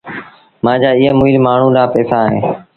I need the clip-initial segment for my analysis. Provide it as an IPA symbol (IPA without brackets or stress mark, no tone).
m